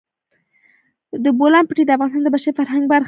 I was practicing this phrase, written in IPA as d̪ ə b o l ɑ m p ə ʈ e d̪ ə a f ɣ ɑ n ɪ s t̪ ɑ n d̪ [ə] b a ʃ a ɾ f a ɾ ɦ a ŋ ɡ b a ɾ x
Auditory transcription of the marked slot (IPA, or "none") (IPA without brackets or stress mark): ə